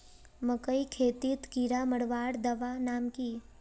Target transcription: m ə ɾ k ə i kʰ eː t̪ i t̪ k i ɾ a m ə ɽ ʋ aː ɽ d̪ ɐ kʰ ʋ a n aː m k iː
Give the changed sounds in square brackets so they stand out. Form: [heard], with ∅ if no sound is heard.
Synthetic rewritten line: m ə [∅] k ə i kʰ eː t̪ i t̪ k i ɾ a m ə ɽ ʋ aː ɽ d̪ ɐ [∅] ʋ a n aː m k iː